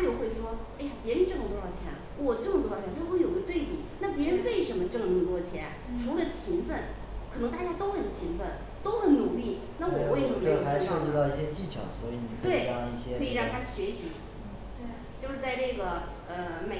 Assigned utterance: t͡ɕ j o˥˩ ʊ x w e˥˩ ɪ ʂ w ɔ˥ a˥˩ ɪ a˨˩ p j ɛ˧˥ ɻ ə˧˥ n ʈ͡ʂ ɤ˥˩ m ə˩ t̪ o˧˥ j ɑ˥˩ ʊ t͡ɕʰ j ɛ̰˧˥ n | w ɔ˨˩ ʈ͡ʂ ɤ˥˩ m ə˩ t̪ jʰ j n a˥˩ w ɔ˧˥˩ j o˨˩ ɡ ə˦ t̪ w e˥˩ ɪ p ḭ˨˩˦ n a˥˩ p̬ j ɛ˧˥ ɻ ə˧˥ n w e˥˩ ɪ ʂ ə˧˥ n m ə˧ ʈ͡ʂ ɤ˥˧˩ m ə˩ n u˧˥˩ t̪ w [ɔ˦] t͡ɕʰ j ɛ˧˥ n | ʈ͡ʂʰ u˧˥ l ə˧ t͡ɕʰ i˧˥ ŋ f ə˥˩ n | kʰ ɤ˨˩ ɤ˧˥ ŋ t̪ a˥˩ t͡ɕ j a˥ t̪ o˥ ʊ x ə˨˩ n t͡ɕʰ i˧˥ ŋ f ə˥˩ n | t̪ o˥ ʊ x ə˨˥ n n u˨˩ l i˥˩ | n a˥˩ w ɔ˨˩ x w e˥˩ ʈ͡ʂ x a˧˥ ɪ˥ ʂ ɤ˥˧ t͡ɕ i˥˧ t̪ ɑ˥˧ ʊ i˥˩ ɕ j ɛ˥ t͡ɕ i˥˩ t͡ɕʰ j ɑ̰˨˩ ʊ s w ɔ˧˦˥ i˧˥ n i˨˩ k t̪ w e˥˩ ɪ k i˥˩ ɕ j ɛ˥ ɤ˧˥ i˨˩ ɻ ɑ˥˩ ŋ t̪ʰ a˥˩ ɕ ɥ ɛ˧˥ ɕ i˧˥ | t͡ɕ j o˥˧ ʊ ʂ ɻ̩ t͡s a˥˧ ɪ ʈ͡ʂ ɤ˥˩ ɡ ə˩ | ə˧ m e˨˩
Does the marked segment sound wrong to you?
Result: yes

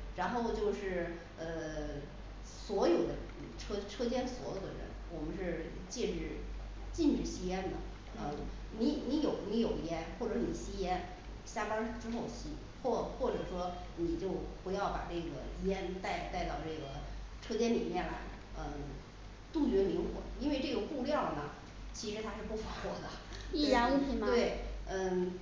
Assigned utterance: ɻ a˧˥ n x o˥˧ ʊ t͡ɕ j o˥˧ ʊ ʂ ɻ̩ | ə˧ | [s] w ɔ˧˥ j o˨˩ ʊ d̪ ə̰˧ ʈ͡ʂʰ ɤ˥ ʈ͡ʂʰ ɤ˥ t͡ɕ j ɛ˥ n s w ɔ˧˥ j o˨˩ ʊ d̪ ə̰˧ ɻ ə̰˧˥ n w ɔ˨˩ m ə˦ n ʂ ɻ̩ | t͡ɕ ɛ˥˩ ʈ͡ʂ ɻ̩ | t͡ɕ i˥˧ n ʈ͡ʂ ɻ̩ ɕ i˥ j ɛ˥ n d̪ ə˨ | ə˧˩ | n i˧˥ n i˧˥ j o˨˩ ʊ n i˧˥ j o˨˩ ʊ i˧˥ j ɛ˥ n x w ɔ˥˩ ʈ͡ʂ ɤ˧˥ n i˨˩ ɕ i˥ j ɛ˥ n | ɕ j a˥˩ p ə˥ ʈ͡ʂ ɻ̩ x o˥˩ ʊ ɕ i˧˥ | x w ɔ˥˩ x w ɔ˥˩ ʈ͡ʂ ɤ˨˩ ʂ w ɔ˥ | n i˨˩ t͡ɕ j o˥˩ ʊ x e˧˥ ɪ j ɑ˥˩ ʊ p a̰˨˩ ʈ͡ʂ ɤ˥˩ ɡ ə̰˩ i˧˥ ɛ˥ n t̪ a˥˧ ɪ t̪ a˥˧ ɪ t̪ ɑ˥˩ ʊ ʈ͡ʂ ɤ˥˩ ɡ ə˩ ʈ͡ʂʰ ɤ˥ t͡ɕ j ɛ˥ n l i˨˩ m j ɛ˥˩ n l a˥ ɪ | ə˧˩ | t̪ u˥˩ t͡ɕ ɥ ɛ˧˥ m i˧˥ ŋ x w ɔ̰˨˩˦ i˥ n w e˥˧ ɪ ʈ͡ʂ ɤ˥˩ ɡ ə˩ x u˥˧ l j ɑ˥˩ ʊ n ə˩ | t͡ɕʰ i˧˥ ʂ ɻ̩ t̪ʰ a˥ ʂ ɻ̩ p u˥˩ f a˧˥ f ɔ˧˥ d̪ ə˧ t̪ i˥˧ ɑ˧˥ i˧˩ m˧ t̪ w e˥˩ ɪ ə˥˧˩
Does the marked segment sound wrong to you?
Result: no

